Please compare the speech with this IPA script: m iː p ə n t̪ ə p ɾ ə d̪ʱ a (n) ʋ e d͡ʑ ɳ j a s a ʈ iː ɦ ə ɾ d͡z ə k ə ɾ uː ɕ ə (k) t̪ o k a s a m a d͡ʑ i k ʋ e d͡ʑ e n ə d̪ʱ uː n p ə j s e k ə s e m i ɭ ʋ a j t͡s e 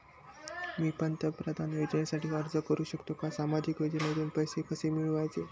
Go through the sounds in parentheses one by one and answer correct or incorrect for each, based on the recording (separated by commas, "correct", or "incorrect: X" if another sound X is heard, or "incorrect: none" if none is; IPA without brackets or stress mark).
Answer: correct, correct